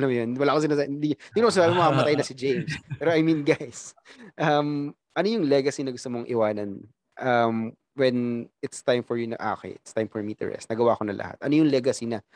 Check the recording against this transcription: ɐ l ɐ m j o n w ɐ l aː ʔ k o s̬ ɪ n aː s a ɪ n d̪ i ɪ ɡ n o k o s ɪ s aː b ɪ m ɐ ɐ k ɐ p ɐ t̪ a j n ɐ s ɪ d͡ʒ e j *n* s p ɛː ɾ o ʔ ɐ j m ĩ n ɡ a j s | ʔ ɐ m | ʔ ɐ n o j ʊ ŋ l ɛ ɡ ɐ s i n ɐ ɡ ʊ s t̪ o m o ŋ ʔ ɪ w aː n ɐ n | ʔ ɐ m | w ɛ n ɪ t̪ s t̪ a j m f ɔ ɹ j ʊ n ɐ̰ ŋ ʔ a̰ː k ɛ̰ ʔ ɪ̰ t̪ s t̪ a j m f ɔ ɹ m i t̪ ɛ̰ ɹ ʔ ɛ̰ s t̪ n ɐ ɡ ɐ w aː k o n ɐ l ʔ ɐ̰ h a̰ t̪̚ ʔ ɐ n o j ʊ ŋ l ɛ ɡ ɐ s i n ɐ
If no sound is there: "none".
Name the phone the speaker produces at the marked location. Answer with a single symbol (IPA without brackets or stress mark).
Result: m